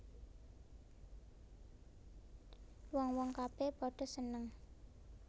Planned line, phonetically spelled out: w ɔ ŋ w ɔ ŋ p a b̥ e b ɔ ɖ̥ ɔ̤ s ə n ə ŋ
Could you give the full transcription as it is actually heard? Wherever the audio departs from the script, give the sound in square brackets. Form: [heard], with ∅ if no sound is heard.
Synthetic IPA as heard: w ɔ ŋ w ɔ ŋ [k] a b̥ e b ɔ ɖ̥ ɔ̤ s ə n ə ŋ

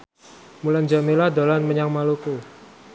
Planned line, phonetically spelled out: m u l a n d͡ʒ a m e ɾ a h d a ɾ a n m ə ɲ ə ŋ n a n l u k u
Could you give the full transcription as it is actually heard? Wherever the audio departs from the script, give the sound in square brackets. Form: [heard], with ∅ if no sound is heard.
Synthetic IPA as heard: m u l a n d͡ʒ a m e [l] a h d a [l] a n m ə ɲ [a] ŋ [m] a [∅] l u k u

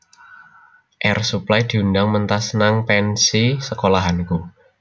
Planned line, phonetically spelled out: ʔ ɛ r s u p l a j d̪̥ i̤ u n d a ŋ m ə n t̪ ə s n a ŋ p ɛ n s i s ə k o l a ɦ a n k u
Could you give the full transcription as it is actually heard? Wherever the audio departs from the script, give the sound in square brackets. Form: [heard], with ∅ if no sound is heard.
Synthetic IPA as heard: ʔ ɛ r s u p l a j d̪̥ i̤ u n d a ŋ m ə n t̪ [a] s n a ŋ p ɛ n s i s ə k o l a ɦ a n k u

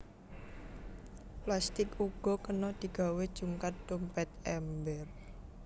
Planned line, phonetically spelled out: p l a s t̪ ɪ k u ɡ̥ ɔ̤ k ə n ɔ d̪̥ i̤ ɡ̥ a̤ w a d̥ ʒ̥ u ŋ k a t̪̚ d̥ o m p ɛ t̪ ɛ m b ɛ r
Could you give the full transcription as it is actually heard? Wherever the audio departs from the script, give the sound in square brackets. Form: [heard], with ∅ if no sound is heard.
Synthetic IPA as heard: p l a s t̪ ɪ k u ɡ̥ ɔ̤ k ə n ɔ d̪̥ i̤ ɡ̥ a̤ w [e] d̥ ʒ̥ u ŋ k a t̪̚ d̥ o m p ɛ t̪ ɛ m b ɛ r

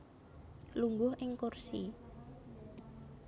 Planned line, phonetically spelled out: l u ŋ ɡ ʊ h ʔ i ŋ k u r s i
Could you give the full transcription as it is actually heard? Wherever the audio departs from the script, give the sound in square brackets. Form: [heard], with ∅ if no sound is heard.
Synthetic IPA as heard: l u ŋ ɡ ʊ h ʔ [ɪ] ŋ k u r s i

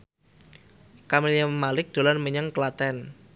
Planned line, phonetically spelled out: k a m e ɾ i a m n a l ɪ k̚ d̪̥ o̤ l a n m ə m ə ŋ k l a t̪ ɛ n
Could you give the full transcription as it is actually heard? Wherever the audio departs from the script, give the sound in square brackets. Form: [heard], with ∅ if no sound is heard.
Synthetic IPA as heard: k a m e [l] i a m [m] a l ɪ k̚ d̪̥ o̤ l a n m ə [ɲ] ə ŋ k l a t̪ ɛ n

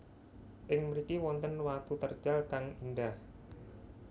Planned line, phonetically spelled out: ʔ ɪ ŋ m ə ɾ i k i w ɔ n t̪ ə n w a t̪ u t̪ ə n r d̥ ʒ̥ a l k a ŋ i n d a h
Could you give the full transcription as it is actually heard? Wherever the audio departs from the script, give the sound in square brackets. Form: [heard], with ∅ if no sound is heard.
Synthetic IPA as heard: ʔ ɪ ŋ m ə ɾ i k i w ɔ n t̪ ə n w a t̪ u t̪ ə [∅] r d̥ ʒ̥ a l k a ŋ i n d a h

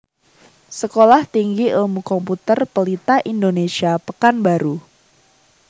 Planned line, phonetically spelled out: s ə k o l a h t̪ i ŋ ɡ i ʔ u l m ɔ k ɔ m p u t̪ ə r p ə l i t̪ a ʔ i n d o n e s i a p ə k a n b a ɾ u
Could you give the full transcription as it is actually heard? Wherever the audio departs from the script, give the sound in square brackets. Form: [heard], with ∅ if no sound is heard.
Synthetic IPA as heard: s ə k o l a h t̪ i ŋ ɡ i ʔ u l m [u] k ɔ m p u t̪ ə r p ə l i t̪ a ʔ i n d o n e s i a p ə k a n b a ɾ u

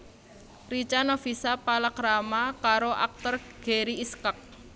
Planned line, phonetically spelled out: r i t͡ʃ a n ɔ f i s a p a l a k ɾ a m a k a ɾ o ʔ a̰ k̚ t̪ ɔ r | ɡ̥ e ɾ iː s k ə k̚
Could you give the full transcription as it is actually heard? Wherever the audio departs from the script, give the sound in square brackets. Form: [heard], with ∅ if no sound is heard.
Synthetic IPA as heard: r i t͡ʃ a n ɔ f i s a p a l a k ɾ a m a k a ɾ o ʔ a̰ k̚ t̪ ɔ r | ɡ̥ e ɾ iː s k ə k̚

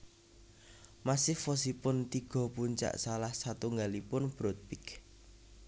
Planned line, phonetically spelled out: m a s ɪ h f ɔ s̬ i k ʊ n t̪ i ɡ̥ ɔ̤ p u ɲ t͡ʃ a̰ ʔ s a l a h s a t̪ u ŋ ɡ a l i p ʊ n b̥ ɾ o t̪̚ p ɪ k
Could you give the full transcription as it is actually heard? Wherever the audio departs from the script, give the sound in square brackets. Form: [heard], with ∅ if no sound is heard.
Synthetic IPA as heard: m a s ɪ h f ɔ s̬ i [p] ʊ n t̪ i ɡ̥ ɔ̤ p u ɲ t͡ʃ a̰ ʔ s a l a h s a t̪ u ŋ ɡ a l i p ʊ n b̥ ɾ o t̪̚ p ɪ k

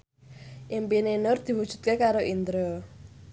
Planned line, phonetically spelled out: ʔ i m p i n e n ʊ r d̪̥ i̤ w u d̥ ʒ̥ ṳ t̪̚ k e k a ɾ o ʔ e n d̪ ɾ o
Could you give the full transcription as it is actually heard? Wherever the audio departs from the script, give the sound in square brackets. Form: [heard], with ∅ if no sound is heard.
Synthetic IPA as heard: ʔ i m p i n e n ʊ r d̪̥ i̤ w u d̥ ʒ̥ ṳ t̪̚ k e k a ɾ o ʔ [i] n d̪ ɾ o

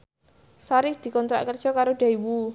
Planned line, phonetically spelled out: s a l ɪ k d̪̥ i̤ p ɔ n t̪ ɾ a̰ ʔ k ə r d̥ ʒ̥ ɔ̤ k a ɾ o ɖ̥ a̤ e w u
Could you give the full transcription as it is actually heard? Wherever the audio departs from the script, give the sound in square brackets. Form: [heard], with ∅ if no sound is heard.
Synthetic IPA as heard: s a [ɾ] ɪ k d̪̥ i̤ [k] ɔ n t̪ ɾ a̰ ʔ k ə r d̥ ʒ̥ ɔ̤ k a ɾ o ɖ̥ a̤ [i] w u

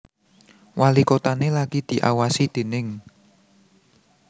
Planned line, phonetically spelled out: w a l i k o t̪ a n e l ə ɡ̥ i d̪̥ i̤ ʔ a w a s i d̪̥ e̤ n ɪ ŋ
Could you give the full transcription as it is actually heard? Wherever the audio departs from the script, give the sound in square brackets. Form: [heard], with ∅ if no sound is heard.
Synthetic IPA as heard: w a l i k o t̪ a n e l [a] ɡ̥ i d̪̥ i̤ ʔ a w a s i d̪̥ e̤ n ɪ ŋ

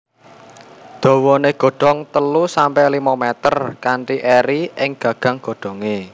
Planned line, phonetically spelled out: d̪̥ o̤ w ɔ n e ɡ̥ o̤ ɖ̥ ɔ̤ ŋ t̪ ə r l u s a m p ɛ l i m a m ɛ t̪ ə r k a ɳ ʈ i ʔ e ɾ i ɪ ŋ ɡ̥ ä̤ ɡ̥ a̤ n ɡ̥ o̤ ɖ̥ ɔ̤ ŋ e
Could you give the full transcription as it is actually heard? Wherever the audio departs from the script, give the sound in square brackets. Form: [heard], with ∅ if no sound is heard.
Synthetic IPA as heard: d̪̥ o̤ w ɔ n e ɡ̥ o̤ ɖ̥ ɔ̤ ŋ t̪ ə [∅] l u s a m p ɛ l i m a m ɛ t̪ ə r k a ɳ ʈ i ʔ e ɾ i ɪ ŋ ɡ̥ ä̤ ɡ̥ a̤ [ŋ] ɡ̥ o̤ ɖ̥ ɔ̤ ŋ e

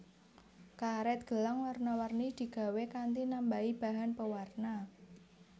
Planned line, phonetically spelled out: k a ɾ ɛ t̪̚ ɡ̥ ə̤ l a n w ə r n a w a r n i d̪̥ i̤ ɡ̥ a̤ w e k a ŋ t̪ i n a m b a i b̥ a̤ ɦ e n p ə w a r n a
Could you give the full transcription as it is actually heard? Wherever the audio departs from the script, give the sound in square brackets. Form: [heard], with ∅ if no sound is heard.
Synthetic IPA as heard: k a ɾ ɛ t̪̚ ɡ̥ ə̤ l a [ŋ] w [a] r n a w a r n i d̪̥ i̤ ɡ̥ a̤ w e k a [n] t̪ i n a m b a i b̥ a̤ ɦ [a] n p ə w a r n a

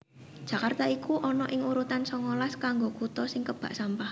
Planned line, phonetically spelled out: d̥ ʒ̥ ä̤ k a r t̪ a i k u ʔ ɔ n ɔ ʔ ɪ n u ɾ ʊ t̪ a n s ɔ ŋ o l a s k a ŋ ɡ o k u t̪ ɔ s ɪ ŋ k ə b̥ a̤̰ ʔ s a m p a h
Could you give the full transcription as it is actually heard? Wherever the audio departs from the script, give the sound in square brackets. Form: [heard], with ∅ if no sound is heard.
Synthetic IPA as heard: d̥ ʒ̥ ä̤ k a r t̪ a i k u ʔ ɔ n ɔ ʔ ɪ [ŋ] u ɾ [u] t̪ a n s ɔ ŋ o l a s k a ŋ ɡ o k u t̪ ɔ s ɪ ŋ k ə b̥ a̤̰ ʔ s a m p a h

